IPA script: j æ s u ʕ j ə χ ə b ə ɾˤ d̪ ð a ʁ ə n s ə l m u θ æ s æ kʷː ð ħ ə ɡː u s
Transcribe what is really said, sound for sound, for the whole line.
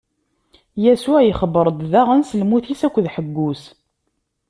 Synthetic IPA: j æ s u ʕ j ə χ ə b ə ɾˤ d̪ ð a ʁ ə n s ə l m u θ i s æ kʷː ð ħ ə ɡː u s

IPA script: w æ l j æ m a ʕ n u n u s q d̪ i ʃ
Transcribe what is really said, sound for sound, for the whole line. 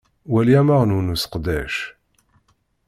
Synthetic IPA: w æ l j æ m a ʁ n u n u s q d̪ æ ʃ

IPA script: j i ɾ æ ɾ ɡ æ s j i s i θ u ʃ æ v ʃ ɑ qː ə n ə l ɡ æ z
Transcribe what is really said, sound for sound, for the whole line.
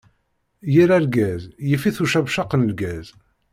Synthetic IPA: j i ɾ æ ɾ ɡ æ z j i f i θ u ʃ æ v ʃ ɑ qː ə n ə l ɡ æ z

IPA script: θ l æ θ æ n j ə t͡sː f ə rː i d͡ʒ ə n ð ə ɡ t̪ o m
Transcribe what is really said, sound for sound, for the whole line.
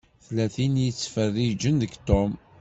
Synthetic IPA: θ l æ θ i n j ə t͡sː f ə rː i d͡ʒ ə n ð ə ɡ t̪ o m

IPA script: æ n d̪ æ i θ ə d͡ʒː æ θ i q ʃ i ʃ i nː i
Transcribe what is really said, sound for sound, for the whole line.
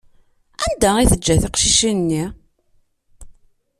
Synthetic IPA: æ n d̪ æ i θ ə d͡ʒː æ θ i q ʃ i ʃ i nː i

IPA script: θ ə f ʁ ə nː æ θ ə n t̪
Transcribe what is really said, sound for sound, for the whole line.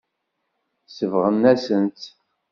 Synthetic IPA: s ə v ʁ ə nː æ s ə n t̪

